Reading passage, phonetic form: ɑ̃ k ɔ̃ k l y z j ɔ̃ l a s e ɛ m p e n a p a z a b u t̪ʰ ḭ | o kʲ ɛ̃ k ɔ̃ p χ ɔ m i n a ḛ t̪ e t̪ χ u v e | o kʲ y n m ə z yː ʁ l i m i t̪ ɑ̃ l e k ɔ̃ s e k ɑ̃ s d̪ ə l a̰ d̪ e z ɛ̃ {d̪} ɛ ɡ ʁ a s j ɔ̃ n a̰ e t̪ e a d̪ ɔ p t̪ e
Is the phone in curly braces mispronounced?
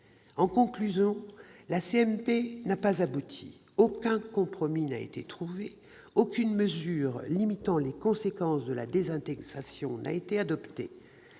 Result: yes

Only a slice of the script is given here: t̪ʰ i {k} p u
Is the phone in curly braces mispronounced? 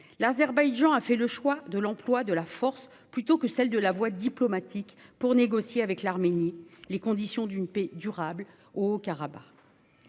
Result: no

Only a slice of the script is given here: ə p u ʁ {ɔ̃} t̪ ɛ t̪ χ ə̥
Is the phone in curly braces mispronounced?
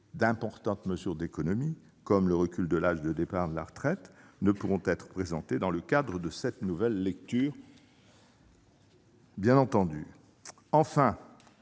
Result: no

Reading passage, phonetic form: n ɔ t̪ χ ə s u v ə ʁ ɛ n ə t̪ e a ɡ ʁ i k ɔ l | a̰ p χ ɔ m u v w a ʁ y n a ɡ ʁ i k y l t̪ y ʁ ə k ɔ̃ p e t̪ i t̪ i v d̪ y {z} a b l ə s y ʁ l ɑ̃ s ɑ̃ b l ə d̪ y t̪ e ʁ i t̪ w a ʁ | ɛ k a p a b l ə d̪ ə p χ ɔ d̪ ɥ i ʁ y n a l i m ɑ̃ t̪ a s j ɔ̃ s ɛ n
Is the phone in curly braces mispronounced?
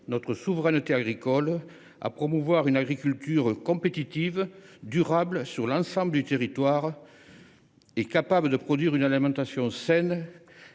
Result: yes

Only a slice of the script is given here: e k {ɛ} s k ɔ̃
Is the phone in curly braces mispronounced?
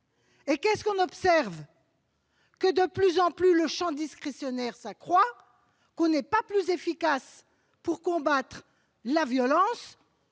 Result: no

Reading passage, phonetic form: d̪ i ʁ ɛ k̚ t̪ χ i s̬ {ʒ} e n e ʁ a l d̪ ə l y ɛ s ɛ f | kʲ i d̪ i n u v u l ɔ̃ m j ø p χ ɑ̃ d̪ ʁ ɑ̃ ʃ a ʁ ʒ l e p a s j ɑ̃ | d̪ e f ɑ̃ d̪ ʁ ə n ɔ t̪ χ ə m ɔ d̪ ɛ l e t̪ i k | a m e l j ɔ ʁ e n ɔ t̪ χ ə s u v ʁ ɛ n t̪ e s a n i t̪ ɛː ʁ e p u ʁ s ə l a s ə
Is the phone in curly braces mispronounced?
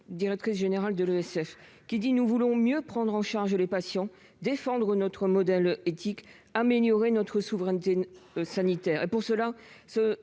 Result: no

